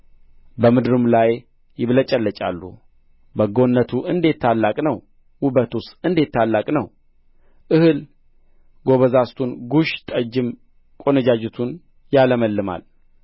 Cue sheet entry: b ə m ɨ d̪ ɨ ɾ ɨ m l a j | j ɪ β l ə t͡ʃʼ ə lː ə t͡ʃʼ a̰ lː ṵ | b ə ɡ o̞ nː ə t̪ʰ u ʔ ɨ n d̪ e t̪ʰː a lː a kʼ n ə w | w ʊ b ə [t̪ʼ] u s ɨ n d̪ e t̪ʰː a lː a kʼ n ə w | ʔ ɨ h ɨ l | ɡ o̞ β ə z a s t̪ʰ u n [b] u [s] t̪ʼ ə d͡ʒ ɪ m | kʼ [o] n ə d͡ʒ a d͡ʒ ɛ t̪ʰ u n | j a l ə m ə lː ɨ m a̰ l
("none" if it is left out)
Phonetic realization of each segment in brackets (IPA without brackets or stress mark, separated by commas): t̪, ɡ, ʃ, o